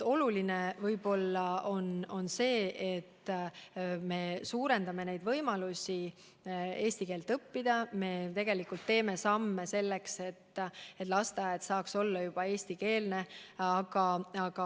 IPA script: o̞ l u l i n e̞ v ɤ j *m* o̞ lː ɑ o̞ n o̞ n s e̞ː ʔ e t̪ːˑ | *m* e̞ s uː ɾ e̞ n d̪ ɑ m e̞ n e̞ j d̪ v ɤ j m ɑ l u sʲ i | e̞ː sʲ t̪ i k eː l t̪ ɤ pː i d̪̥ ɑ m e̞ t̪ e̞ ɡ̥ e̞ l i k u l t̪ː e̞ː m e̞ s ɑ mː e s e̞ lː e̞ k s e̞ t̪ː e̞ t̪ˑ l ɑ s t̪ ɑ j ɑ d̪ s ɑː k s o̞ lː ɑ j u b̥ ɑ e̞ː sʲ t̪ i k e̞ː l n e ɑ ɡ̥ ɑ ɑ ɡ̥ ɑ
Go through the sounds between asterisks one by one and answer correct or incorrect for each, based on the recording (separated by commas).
incorrect, correct